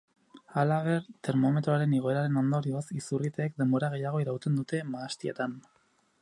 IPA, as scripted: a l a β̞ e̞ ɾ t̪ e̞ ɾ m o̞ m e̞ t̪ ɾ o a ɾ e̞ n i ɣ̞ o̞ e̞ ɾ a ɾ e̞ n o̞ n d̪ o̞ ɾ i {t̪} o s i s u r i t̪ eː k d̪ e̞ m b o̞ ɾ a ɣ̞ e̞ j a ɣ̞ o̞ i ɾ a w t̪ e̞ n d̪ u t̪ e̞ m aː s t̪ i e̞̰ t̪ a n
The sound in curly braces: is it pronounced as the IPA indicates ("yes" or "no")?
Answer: no